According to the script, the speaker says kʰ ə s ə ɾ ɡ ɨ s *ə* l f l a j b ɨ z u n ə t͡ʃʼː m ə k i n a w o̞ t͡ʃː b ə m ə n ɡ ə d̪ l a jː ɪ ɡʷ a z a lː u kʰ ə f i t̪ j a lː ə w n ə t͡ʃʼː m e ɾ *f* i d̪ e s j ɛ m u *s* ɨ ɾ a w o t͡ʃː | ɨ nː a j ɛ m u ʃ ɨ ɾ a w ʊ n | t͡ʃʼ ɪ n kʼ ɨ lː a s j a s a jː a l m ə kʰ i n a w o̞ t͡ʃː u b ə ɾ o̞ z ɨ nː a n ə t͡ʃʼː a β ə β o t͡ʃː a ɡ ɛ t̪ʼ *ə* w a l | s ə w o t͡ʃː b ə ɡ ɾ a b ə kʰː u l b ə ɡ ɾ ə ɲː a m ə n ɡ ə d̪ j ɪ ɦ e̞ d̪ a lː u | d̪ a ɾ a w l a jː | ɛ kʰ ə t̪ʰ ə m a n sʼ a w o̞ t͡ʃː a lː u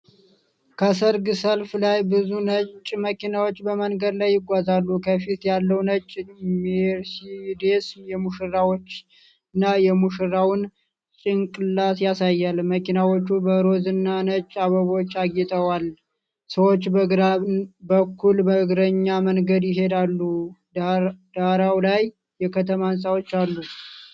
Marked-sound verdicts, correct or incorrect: correct, incorrect: s, incorrect: ʃ, correct

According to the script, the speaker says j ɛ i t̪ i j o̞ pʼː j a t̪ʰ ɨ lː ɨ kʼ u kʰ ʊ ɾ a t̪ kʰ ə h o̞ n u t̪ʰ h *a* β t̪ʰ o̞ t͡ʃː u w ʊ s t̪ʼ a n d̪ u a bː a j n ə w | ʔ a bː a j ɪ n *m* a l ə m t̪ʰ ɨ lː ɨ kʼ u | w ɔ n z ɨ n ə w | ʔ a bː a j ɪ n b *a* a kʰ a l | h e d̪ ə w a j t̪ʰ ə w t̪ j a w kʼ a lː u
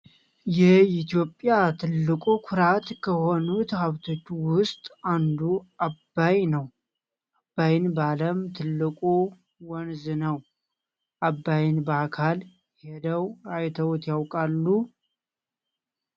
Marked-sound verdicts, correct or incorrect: correct, incorrect: b, incorrect: ə

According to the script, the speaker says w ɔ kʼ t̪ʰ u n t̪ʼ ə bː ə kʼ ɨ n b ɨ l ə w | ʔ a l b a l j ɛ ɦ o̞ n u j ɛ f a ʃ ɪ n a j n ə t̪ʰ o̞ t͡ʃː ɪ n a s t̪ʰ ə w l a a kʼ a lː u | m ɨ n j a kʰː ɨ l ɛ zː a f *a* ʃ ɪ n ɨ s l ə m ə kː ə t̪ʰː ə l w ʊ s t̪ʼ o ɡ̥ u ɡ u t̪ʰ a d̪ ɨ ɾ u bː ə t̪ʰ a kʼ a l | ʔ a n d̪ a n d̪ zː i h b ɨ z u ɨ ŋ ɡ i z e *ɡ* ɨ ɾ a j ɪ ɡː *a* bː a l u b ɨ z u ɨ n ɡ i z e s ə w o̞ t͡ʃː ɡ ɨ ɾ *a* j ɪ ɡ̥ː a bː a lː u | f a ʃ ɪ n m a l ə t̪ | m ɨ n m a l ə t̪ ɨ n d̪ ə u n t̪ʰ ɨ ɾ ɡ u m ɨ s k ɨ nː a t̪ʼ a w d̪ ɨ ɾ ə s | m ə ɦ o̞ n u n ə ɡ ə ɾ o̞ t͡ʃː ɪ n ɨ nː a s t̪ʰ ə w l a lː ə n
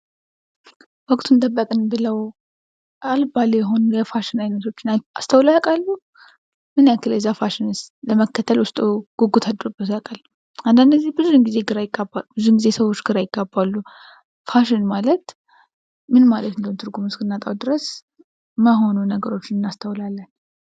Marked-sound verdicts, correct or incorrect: correct, correct, correct, correct

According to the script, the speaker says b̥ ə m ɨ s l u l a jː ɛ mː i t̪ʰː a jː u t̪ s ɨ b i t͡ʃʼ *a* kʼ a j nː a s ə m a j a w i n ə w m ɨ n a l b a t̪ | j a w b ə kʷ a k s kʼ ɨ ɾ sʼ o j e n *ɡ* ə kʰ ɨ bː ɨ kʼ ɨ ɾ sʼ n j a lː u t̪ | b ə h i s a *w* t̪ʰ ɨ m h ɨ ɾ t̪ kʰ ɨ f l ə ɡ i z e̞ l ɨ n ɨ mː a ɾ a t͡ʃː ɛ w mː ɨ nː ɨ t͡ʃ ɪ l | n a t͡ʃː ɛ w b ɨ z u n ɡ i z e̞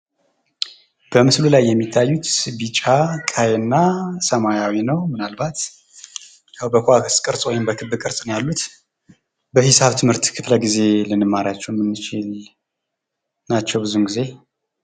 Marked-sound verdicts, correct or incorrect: correct, incorrect: b, incorrect: β

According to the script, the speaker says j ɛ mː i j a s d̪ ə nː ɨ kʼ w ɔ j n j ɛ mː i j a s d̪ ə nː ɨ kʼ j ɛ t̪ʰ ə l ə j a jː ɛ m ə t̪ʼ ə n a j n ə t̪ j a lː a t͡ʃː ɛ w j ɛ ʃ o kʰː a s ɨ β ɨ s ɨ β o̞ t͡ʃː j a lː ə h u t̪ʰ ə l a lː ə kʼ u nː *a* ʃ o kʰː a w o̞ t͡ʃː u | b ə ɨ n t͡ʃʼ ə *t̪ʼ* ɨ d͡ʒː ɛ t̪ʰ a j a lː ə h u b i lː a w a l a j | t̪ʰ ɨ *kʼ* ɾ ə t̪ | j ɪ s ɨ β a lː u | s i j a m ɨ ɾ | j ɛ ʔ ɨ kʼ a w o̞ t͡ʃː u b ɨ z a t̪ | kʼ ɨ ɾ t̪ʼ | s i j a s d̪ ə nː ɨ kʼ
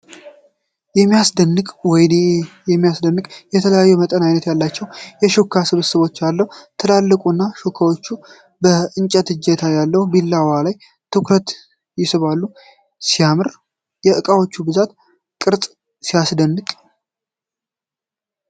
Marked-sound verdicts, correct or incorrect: correct, incorrect: t̪, incorrect: k

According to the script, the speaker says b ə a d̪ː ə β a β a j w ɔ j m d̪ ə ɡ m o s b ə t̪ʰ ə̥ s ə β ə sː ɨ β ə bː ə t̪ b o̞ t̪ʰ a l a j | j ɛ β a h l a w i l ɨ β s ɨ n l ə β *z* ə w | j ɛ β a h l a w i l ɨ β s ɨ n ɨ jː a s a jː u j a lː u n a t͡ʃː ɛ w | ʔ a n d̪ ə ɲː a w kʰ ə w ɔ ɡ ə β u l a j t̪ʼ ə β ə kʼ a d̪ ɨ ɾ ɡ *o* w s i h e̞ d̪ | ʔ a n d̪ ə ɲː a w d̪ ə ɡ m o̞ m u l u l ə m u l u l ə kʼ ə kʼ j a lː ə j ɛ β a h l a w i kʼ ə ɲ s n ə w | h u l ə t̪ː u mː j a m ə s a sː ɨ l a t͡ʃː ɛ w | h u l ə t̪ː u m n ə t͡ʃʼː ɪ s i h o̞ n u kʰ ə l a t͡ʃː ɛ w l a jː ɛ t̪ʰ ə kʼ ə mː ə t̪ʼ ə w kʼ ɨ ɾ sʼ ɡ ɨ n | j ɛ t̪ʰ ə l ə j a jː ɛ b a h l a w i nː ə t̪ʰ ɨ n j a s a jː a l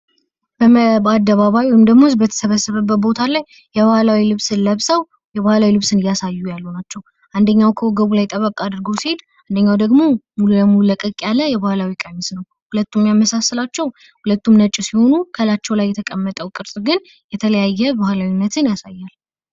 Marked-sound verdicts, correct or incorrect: incorrect: s, correct

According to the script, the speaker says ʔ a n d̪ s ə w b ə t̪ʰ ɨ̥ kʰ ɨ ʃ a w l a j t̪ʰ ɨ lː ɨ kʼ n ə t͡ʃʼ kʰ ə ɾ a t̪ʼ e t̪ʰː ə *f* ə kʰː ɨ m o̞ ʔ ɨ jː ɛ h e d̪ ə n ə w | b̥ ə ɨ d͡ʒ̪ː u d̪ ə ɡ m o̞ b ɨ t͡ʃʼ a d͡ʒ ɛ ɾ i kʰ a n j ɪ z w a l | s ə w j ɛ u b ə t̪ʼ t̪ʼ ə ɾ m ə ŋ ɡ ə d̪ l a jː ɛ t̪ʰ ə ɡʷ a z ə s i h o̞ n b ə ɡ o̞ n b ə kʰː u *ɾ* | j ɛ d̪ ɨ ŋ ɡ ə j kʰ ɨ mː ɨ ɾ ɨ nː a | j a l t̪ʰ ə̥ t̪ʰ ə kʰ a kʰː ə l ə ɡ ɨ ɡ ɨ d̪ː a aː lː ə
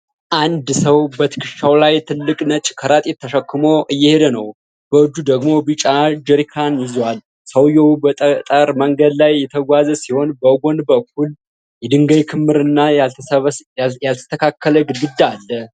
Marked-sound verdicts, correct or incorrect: incorrect: ʃ, incorrect: l

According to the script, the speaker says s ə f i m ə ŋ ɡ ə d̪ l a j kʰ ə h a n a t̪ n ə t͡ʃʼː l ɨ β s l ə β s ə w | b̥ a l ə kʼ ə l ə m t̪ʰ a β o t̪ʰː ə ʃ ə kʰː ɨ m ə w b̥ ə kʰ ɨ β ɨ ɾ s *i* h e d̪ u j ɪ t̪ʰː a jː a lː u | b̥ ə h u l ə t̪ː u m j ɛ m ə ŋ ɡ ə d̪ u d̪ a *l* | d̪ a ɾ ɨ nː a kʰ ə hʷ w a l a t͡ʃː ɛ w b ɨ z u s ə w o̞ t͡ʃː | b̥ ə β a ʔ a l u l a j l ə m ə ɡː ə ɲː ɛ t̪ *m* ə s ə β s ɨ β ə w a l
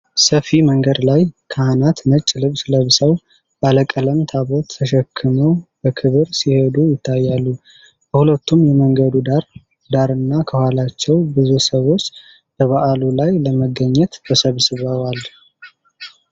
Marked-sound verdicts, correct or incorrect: correct, incorrect: ɾ, incorrect: b

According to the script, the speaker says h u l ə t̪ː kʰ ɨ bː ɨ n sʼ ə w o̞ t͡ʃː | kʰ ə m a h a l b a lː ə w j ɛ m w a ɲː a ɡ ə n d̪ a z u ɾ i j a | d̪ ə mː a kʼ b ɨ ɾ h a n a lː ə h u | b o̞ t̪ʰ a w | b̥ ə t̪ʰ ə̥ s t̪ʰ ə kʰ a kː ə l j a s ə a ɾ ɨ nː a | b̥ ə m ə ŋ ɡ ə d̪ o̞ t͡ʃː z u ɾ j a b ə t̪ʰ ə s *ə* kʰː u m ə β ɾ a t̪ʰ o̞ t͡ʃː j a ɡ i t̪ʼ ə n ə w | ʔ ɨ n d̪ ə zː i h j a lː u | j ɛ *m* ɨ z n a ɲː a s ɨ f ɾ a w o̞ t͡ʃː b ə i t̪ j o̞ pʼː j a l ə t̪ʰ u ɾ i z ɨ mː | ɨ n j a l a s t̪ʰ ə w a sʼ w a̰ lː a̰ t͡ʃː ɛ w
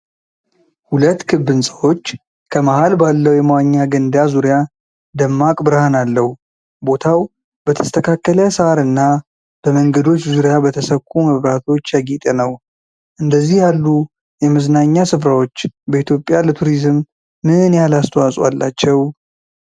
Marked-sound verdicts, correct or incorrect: correct, correct

